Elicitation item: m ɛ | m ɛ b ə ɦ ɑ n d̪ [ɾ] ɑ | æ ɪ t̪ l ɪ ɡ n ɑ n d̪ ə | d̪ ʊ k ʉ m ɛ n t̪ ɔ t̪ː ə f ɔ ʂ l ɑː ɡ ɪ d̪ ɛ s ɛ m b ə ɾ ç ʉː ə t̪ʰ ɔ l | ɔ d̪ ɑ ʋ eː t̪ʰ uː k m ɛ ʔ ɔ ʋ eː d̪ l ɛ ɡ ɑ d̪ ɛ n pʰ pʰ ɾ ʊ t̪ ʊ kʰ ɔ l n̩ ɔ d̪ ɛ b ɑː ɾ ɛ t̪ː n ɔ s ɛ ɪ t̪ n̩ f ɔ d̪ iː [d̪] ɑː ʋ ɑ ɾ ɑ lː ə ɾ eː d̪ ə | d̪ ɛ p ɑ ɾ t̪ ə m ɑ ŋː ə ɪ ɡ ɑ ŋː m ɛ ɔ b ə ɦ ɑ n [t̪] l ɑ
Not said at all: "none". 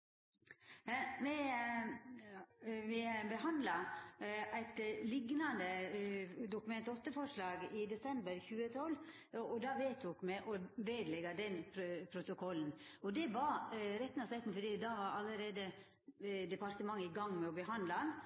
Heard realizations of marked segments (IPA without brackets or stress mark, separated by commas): l, d̪, d̪